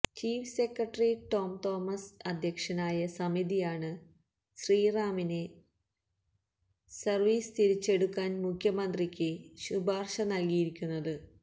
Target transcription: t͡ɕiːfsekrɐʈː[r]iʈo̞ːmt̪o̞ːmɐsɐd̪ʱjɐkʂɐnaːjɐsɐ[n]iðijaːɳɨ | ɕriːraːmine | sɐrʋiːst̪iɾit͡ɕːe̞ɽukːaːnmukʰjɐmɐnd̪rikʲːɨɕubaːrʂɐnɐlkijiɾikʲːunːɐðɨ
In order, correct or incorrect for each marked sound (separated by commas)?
correct, incorrect